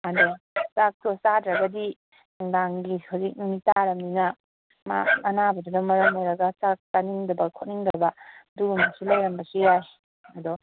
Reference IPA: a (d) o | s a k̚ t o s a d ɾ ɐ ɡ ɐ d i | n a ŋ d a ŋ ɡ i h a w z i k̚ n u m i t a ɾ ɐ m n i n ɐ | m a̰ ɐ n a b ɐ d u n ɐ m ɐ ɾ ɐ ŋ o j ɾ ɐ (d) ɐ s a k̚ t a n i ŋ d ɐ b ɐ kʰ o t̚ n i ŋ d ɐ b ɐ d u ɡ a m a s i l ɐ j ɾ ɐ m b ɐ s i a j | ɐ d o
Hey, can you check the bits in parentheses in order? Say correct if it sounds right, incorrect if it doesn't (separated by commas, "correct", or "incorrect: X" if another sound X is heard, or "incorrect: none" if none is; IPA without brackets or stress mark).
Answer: correct, incorrect: ɡ